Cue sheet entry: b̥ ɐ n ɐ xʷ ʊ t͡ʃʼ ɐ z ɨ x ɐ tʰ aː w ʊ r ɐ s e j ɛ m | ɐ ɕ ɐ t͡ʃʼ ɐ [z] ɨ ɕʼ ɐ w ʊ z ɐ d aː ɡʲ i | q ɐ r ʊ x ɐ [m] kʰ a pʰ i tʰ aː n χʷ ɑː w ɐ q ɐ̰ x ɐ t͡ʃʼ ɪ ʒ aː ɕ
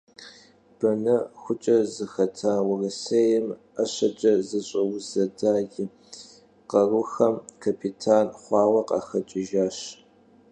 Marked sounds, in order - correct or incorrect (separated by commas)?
correct, correct